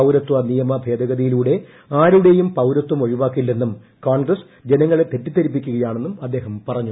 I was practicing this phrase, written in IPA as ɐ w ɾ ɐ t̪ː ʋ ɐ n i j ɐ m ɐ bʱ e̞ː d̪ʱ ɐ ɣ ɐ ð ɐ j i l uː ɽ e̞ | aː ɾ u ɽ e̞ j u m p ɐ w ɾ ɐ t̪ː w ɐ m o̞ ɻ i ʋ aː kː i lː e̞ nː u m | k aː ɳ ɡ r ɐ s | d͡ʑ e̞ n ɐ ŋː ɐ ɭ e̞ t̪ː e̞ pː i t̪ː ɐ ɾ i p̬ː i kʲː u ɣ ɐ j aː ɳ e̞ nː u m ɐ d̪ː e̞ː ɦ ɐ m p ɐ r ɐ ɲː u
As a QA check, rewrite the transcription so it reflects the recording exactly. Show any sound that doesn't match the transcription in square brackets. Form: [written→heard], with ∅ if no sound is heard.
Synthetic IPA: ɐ w ɾ ɐ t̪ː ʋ ɐ n i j ɐ m ɐ bʱ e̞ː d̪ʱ ɐ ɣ ɐ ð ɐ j i l uː ɽ e̞ | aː ɾ u ɽ e̞ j u m p ɐ w ɾ ɐ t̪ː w ɐ m o̞ ɻ i ʋ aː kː i lː e̞ nː u m | k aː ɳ ɡ r ɐ s | d͡ʑ e̞ n ɐ ŋː ɐ ɭ e̞ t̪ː e̞ [pː→tː] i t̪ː ɐ ɾ i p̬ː i kʲː u ɣ ɐ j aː ɳ e̞ nː u m ɐ d̪ː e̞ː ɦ ɐ m p ɐ r ɐ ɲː u